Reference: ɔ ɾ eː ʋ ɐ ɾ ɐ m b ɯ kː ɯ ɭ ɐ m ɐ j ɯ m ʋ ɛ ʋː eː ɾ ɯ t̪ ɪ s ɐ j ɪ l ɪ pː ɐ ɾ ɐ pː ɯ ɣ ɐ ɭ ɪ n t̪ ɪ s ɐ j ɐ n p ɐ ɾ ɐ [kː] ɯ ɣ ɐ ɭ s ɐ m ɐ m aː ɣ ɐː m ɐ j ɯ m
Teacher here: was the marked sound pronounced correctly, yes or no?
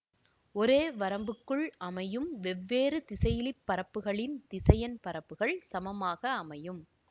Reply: no